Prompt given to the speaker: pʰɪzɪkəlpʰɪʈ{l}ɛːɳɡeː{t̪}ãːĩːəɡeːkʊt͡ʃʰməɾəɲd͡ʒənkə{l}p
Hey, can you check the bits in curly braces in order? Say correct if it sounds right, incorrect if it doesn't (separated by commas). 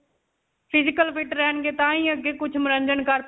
incorrect, correct, incorrect